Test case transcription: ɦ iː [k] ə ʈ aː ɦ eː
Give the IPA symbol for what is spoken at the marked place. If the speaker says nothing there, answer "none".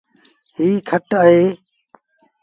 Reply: kʰ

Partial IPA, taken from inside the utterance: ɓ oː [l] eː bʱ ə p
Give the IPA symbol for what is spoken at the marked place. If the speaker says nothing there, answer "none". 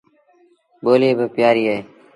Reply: l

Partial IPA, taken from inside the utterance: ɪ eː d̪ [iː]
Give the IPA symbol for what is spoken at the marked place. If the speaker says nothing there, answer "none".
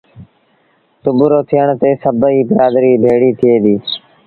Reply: iː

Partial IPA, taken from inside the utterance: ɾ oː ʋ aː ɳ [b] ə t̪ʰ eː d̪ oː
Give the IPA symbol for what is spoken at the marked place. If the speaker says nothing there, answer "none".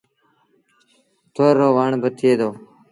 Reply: b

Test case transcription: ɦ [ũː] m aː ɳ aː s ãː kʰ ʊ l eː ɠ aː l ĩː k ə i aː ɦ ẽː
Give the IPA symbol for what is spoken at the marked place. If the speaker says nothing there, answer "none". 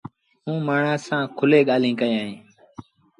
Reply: ũː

